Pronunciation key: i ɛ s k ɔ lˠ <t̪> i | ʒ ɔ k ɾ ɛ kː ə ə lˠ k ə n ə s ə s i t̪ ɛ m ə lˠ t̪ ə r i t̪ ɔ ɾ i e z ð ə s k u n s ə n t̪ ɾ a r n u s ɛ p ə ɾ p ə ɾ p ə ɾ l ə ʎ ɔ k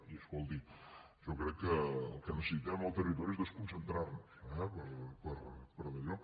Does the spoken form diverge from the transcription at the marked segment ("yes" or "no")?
yes